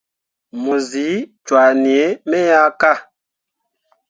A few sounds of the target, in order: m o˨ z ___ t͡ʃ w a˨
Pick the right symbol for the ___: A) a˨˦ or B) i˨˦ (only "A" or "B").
B